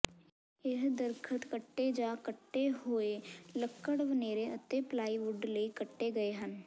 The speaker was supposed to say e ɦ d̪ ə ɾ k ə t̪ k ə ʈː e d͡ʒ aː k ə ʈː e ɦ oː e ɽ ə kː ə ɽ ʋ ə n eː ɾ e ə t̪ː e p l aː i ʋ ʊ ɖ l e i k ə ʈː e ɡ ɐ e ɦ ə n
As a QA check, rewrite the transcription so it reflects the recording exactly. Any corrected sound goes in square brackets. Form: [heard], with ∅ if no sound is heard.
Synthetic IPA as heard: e ɦ d̪ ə ɾ [kʰ] ə t̪ k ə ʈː e d͡ʒ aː k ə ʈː e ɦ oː e [l] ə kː ə ɽ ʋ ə n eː ɾ e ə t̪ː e p l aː i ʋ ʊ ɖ l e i k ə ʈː e ɡ ɐ e ɦ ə n